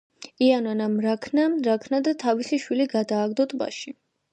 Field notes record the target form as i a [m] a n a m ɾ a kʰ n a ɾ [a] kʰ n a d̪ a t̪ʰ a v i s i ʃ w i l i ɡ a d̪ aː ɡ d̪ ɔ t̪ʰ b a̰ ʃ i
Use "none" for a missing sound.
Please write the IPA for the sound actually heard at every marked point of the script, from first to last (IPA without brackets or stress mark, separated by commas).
n, a